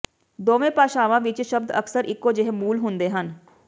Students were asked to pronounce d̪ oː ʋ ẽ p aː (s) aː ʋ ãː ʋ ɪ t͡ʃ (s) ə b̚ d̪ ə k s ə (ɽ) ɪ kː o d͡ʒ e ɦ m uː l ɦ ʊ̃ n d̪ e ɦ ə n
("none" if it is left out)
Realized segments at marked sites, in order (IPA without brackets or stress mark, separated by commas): ʃ, ʃ, ɾ